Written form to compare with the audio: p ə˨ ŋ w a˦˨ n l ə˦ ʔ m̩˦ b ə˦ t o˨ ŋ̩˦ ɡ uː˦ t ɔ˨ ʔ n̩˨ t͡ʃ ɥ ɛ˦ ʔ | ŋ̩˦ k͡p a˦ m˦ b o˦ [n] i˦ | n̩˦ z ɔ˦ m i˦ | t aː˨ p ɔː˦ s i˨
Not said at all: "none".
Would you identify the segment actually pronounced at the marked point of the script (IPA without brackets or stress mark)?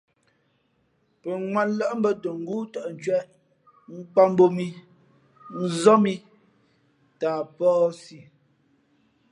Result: m